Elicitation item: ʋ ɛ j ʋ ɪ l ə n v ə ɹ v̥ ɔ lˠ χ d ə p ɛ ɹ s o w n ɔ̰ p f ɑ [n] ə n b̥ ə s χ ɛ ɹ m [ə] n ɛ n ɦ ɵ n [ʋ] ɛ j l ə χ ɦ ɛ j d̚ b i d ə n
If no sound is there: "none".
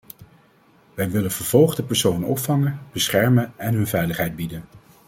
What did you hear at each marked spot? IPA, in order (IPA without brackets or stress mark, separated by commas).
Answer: ŋ, ə, v